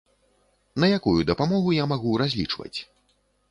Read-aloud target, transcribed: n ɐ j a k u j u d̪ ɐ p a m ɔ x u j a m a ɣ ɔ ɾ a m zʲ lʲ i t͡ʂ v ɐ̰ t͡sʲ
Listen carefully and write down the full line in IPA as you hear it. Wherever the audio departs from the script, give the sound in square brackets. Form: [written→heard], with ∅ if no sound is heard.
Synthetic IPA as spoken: n ɐ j a k u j u d̪ ɐ p a m ɔ [x→ɣ] u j a m a ɣ [ɔ→u] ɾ a [m→∅] zʲ lʲ i t͡ʂ v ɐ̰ t͡sʲ